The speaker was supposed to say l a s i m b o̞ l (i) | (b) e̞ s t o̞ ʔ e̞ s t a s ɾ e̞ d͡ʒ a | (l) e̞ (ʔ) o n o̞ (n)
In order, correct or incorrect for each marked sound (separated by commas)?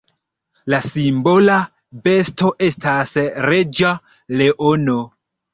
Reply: incorrect, correct, correct, correct, incorrect